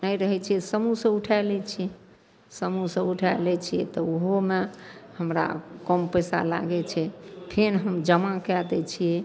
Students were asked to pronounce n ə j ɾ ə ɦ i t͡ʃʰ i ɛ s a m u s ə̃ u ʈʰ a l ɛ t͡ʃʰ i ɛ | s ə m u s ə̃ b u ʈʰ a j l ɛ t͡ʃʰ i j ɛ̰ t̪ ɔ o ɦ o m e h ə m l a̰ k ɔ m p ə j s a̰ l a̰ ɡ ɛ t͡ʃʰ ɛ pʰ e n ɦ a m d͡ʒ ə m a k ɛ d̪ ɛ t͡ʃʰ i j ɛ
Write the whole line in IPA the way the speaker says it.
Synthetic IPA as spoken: n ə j ɾ ə ɦ ɛ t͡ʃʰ i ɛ s ə m u s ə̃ u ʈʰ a l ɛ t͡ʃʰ i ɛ | s ə m u s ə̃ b u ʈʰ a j l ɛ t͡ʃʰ i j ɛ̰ t̪ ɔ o ɦ o m e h ə m ɾ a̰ k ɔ m p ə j s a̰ l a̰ ɡ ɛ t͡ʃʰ ɛ pʰ e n ɦ ə m d͡ʒ ə m a k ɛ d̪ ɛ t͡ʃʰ i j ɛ